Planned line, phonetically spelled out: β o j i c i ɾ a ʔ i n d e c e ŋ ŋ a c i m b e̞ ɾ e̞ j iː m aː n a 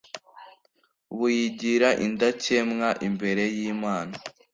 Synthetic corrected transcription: β u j i ɟ i ɾ a ʔ i n d a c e m ŋ a ʔ i m b e̞ ɾ e̞ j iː m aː n a